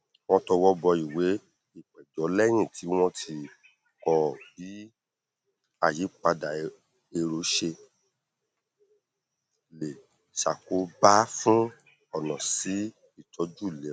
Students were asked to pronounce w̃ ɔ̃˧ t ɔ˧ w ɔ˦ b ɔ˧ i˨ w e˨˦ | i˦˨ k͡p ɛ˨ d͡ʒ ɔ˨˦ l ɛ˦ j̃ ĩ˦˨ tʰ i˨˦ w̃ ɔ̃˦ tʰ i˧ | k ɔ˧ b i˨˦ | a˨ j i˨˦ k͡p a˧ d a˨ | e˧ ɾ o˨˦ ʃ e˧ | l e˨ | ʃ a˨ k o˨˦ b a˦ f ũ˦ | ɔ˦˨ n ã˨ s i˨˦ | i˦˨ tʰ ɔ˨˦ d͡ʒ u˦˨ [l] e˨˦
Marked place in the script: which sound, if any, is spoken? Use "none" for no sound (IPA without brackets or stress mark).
l